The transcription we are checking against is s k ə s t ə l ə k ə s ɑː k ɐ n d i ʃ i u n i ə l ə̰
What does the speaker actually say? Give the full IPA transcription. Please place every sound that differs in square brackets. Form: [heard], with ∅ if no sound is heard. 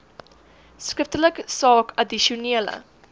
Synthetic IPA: s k ə [f] t ə l ə k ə s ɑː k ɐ [∅] d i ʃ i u n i ə l ə̰